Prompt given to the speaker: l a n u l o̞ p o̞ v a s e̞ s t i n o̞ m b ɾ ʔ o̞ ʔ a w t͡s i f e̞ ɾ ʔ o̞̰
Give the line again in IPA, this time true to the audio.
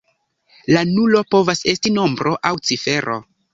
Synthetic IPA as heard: l a n u l o̞ p o̞ v a s e̞ s t i n o̞ m b ɾ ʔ o̞ ʔ a w t͡s i f e̞ ɾ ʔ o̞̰